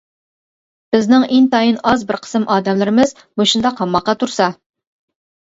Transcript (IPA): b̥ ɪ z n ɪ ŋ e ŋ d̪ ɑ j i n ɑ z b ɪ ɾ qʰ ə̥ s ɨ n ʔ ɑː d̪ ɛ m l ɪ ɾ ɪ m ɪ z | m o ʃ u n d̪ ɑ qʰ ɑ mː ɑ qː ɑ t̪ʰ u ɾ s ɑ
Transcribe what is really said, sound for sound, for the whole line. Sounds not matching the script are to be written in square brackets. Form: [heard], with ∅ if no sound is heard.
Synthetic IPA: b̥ ɪ z n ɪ ŋ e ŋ [t̪] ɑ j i n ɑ z b ɪ ɾ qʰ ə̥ s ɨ [m] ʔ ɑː d̪ ɛ m l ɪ ɾ ɪ m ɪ z | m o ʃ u n d̪ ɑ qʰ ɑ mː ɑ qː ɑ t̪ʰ u ɾ s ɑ